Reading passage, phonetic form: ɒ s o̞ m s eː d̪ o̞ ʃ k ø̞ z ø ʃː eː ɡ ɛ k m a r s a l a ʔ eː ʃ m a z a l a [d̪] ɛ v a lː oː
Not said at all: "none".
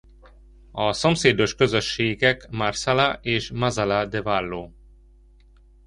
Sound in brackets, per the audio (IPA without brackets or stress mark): d̪